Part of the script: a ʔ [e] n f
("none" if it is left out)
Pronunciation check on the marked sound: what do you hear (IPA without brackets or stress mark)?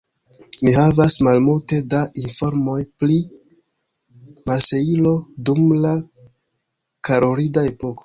i